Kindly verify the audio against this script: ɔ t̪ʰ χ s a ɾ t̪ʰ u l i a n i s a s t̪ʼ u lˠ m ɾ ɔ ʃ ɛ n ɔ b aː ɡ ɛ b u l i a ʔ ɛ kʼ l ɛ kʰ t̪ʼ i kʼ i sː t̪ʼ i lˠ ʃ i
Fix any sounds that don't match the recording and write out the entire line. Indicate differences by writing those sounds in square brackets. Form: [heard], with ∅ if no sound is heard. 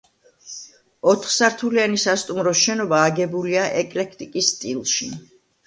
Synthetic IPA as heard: ɔ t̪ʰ χ s a ɾ t̪ʰ u l i a n i s a s t̪ʼ u [∅] m ɾ ɔ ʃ ɛ n ɔ b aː ɡ ɛ b u l i a ʔ ɛ kʼ l ɛ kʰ t̪ʼ i kʼ i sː t̪ʼ i lˠ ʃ i